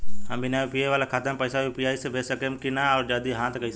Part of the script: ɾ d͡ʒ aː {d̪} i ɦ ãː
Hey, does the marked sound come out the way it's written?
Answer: yes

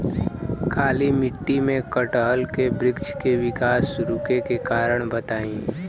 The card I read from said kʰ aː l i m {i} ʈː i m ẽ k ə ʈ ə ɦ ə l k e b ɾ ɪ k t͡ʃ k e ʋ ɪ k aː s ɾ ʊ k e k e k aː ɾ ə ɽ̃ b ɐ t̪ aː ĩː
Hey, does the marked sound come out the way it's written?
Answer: no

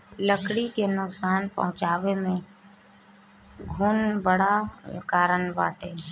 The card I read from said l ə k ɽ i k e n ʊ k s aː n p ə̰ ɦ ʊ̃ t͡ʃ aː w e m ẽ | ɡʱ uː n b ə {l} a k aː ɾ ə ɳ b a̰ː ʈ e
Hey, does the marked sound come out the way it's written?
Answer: no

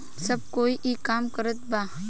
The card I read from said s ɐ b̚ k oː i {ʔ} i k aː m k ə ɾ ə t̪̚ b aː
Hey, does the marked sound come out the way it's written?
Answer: yes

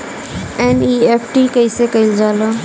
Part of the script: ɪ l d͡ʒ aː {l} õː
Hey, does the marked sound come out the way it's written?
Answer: yes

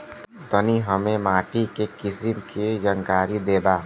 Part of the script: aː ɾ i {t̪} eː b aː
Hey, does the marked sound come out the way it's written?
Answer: no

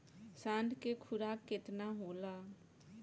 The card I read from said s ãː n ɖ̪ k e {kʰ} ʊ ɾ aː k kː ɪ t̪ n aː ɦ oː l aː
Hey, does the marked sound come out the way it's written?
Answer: yes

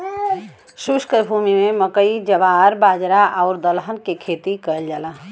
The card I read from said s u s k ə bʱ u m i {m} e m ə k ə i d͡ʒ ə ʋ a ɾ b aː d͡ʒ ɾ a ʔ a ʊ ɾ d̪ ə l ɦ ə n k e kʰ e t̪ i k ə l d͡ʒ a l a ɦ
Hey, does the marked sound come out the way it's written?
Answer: yes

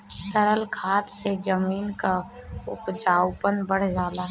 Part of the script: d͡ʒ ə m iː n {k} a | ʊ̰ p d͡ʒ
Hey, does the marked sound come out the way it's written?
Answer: yes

